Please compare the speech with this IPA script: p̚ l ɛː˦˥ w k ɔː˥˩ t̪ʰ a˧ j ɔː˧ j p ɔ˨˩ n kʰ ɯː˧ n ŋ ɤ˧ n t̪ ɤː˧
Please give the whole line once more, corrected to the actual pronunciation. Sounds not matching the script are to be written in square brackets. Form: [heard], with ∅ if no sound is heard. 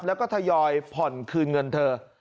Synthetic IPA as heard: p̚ l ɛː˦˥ w k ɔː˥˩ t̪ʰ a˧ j ɔː˧ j [pʰ] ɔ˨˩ n kʰ ɯː˧ n ŋ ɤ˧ n [t̪ʰ] ɤː˧